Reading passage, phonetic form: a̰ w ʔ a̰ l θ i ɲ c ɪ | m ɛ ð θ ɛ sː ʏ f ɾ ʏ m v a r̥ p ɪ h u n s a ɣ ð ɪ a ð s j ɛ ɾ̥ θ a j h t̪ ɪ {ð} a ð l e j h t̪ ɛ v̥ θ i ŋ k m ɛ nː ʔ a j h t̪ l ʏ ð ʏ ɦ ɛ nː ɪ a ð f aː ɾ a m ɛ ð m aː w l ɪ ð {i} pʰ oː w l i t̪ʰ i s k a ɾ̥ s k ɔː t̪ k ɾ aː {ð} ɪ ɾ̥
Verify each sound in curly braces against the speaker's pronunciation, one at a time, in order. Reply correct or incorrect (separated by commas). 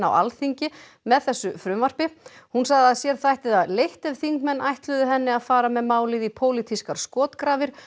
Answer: correct, correct, incorrect